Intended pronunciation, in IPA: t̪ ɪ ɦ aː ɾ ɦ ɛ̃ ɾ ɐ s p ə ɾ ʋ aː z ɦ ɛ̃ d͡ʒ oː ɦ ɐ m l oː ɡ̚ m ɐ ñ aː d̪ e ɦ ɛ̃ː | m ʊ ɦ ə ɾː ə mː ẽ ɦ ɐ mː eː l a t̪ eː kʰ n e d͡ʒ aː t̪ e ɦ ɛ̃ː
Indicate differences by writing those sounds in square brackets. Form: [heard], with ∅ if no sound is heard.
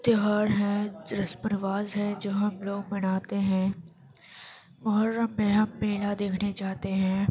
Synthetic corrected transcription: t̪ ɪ ɦ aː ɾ ɦ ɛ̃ ɾ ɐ s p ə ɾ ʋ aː z ɦ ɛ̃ d͡ʒ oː ɦ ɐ m l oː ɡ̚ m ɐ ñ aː [t̪] e ɦ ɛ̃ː | m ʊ ɦ ə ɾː ə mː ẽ ɦ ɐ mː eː l a [d̪] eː kʰ n e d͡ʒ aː t̪ e ɦ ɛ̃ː